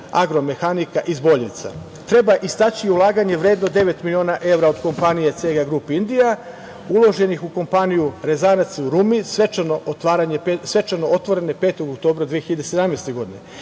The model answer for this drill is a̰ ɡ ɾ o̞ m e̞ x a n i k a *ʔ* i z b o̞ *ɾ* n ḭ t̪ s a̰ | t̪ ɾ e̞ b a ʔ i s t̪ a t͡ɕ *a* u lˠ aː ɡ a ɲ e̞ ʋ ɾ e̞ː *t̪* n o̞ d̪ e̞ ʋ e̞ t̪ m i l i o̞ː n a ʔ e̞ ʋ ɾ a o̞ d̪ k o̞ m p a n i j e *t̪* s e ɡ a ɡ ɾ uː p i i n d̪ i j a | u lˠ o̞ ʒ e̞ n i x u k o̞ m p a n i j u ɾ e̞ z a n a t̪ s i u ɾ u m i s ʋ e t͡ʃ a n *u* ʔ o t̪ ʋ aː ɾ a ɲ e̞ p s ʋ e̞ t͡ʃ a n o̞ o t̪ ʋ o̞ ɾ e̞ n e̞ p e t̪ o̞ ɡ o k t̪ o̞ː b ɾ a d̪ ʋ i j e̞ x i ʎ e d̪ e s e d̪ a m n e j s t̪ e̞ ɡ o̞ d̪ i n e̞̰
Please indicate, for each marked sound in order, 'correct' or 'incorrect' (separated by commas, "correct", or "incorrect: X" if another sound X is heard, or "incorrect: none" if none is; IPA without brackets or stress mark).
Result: correct, incorrect: ʎ, incorrect: i, incorrect: d̪, correct, incorrect: o